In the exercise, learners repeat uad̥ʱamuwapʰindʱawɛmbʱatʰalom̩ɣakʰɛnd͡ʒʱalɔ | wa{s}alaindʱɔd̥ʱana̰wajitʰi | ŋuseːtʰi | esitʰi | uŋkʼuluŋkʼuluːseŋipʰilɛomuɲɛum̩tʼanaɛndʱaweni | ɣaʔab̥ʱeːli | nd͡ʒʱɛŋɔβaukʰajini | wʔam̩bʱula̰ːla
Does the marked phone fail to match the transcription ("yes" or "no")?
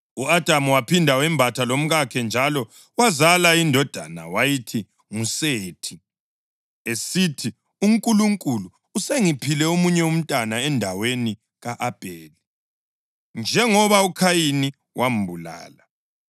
yes